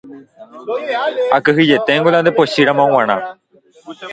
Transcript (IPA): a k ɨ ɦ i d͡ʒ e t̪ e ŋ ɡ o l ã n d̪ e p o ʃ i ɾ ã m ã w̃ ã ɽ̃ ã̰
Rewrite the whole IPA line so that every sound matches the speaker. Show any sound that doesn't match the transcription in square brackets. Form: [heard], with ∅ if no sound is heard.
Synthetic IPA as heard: a k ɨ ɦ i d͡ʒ e t̪ e ŋ ɡ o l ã n d̪ e p o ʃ i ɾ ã m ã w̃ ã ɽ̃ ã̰